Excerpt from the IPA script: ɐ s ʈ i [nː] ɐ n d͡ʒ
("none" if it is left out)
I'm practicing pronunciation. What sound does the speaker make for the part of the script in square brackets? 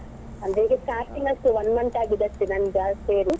n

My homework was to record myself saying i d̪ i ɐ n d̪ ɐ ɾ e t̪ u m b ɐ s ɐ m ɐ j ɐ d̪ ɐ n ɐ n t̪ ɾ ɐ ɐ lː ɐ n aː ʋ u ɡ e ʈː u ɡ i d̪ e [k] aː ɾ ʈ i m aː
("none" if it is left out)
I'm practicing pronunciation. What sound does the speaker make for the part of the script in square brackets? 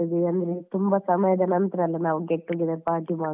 p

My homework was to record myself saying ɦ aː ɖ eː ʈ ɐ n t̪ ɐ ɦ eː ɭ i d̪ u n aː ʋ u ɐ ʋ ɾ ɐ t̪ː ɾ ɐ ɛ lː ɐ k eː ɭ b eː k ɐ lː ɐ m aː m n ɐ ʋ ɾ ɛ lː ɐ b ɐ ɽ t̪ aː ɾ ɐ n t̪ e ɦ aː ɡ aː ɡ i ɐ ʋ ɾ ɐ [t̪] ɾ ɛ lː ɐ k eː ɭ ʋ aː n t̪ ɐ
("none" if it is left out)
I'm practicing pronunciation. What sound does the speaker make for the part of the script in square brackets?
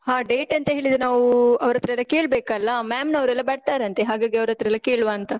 t̪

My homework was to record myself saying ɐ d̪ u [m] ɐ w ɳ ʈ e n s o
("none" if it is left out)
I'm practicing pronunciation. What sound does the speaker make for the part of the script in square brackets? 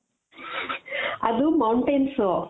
m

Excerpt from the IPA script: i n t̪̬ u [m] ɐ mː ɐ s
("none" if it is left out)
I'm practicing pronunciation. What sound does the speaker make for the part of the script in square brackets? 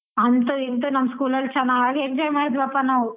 n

